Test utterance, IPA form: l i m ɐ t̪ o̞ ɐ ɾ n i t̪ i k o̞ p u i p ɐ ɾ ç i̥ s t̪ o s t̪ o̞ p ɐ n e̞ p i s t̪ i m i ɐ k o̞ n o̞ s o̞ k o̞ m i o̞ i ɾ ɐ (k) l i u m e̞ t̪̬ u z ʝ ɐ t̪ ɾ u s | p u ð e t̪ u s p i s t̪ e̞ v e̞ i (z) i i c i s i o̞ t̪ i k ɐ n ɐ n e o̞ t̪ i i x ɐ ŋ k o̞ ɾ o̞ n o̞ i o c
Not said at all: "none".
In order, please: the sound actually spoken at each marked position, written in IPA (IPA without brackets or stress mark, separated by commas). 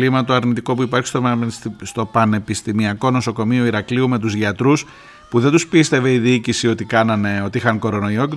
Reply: k, ð